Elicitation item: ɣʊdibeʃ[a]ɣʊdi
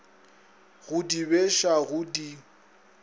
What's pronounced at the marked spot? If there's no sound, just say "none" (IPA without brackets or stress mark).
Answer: a